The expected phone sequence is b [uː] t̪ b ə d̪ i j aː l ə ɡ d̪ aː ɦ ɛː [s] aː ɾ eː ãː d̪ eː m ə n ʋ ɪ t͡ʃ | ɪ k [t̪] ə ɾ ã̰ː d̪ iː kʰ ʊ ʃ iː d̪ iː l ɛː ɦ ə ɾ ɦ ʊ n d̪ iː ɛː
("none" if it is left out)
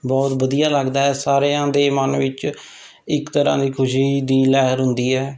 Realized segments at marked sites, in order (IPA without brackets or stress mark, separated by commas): ɔː, s, t̪